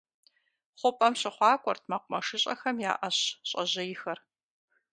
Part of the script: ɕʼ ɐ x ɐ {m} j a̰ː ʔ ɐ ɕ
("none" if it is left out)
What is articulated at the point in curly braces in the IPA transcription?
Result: m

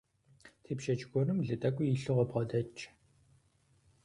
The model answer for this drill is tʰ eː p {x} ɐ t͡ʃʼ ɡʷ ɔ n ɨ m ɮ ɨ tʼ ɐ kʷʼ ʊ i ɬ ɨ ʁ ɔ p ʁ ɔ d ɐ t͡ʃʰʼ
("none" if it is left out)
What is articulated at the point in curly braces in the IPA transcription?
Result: ʃ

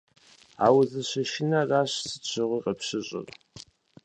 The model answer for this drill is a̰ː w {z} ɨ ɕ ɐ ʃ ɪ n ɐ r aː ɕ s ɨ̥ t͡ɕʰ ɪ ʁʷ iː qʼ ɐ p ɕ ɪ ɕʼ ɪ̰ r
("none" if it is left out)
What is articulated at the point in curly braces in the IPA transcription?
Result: z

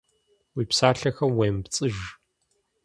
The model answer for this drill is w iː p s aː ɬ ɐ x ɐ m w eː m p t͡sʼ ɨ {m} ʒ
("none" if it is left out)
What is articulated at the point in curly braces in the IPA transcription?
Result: none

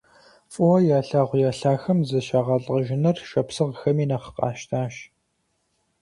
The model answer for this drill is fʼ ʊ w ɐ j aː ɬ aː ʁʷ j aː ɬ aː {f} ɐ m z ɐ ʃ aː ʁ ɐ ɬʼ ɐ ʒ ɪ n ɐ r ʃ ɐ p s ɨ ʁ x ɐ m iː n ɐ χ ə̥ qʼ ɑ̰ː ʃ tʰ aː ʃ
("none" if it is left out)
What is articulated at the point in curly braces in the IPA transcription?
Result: x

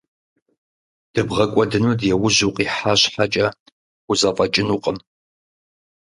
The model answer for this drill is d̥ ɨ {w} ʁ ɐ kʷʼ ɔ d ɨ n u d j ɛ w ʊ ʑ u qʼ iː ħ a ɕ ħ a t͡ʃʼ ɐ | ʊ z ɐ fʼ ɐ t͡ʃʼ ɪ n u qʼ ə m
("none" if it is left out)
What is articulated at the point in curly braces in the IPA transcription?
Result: b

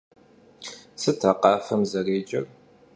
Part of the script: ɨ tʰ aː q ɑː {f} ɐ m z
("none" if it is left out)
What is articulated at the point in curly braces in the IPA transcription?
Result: f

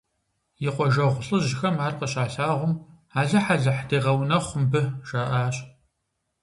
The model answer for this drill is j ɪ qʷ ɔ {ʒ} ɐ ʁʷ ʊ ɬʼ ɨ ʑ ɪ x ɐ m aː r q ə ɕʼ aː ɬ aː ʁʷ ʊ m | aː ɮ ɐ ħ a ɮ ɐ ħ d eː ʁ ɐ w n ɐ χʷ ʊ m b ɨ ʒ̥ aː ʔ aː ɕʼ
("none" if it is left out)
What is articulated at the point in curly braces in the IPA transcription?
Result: ʒ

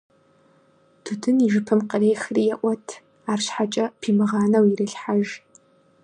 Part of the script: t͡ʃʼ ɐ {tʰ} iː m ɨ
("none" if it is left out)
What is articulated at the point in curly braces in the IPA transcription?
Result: pʰ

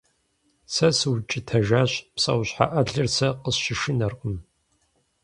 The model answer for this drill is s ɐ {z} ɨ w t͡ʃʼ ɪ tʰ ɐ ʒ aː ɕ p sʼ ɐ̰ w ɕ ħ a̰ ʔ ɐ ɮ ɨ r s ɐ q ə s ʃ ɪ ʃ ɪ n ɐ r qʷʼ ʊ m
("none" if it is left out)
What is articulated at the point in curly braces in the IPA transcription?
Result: s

